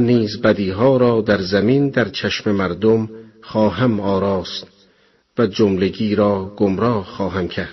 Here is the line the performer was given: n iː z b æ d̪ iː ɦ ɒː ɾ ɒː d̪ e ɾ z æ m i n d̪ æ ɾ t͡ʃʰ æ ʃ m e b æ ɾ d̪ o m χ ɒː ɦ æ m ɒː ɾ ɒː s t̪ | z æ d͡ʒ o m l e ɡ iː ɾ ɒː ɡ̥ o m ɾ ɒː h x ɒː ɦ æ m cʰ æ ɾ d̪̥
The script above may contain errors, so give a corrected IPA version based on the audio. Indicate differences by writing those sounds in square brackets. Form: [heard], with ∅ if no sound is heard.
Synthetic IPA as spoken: n iː z b æ d̪ iː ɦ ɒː ɾ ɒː d̪ [æ] ɾ z æ m i n d̪ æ ɾ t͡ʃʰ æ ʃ m e [m] æ ɾ d̪ o m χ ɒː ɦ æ m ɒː ɾ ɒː s t̪ | [v] æ d͡ʒ o m l e ɡ iː ɾ ɒː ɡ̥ o m ɾ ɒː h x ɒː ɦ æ m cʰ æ ɾ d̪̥